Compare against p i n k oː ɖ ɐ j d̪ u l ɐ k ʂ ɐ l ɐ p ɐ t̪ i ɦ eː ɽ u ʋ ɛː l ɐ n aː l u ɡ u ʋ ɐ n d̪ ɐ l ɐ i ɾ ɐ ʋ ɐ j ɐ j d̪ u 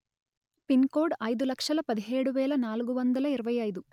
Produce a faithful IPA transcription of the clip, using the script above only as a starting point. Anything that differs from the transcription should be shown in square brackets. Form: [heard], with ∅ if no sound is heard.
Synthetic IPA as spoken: p i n k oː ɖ ɐ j d̪ u l ɐ k ʂ ɐ l ɐ p ɐ [d̪] i ɦ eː ɽ u ʋ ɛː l ɐ n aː l u ɡ u ʋ ɐ n d̪ ɐ l ɐ i ɾ ɐ ʋ ɐ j ɐ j d̪ u